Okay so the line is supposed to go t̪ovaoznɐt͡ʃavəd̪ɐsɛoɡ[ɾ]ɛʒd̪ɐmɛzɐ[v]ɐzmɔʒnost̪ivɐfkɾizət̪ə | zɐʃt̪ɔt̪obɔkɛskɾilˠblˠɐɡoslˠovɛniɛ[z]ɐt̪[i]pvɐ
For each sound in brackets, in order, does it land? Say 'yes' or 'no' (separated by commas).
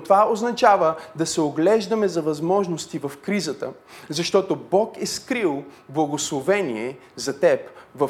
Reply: no, yes, yes, no